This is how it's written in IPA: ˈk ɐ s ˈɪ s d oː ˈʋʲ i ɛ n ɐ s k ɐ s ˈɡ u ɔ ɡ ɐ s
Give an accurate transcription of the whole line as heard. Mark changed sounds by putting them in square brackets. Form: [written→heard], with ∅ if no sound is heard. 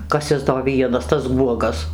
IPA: ˈk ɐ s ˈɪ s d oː ˈʋʲ i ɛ n ɐ s [k→t] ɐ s ˈɡ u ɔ ɡ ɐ s